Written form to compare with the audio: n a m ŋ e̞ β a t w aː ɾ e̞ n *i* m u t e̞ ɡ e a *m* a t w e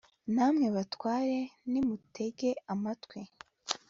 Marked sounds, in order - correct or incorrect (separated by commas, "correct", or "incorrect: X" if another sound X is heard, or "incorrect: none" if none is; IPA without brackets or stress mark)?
correct, correct